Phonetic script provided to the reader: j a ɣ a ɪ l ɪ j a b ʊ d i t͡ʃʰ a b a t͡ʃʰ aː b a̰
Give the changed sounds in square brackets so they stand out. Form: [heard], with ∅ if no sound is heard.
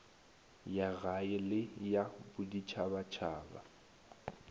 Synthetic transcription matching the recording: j a ɣ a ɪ l ɪ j a b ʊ d i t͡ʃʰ a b a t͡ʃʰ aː b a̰